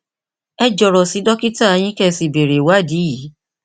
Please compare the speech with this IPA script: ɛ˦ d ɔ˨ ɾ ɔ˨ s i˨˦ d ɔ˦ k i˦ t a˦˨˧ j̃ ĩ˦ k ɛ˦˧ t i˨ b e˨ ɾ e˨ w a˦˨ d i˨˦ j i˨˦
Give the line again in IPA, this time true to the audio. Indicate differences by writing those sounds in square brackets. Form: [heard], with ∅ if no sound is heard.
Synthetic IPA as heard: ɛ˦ [d͡ʒ] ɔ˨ ɾ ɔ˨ s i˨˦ d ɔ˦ k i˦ t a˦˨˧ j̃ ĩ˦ k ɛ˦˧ [s] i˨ b e˨ ɾ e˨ w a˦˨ d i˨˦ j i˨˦